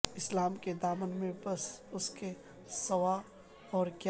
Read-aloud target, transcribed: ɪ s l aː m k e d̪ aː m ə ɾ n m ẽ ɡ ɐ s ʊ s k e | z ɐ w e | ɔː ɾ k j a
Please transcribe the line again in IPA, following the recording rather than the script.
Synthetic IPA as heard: ɪ s l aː m k e d̪ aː m ə n m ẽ b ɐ s ʊ s k e | s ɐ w a | ɔː ɾ k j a